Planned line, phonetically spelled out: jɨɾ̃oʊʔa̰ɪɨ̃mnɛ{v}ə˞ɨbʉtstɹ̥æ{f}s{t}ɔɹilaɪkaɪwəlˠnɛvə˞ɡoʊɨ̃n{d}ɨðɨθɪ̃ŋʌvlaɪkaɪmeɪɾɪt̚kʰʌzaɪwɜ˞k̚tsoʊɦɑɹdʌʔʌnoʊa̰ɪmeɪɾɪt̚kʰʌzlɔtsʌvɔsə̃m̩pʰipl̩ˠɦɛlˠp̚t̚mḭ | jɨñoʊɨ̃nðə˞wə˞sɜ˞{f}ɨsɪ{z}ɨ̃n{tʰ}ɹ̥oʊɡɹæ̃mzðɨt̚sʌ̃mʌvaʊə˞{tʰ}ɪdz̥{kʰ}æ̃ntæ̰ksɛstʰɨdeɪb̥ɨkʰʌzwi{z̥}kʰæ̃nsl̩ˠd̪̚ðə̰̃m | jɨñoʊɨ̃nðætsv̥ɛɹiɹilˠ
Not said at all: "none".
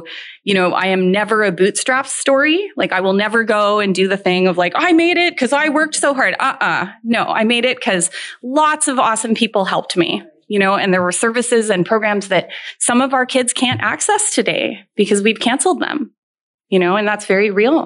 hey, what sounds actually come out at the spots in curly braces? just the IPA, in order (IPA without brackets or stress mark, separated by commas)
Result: v, f, t, d, v, z, pʰ, kʰ, kʰ, v̥